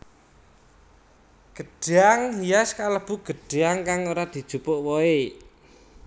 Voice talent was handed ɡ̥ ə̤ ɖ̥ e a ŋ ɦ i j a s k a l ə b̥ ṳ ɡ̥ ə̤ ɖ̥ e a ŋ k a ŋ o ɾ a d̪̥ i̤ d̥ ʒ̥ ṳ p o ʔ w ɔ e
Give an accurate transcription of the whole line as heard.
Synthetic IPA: ɡ̥ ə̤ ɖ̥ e a ŋ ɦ i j a s k a l ə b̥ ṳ ɡ̥ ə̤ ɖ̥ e a ŋ k a ŋ o ɾ a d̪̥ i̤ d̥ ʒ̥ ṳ p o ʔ w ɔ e